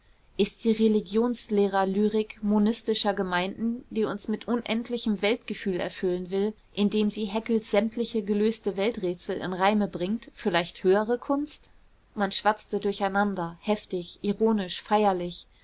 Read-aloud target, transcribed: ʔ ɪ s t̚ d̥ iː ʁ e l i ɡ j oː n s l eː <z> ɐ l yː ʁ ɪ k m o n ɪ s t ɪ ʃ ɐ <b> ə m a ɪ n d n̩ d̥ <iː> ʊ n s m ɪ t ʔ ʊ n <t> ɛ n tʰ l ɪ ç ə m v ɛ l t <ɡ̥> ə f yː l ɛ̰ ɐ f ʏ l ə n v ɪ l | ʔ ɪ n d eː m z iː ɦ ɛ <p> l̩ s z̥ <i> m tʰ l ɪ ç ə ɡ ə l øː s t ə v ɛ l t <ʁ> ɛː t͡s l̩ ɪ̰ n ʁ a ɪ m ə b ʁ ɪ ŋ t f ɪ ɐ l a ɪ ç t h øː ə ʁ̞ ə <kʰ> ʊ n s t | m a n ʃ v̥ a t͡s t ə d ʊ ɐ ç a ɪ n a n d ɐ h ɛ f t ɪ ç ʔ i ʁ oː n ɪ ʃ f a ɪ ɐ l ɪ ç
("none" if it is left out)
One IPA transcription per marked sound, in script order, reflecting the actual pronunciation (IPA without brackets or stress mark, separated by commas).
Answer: ʁ, ɡ, iː, ʔ, ɡ̥, k, ɛ, ʁ, kʰ